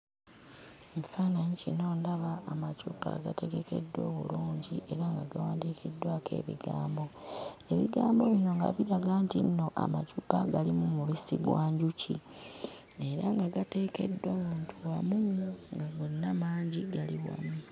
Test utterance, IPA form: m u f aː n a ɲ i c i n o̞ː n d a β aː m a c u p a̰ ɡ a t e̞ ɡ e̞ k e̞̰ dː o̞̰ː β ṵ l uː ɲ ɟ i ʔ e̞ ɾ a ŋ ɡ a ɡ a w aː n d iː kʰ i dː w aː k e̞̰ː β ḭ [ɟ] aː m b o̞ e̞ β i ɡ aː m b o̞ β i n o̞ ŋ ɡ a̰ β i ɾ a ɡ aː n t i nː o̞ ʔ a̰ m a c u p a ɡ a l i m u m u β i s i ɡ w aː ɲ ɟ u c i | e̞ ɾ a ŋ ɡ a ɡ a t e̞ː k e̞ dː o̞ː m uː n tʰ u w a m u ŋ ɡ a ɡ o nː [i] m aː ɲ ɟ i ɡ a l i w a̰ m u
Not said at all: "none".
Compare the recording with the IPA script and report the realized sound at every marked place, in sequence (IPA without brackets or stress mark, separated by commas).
ɡ, a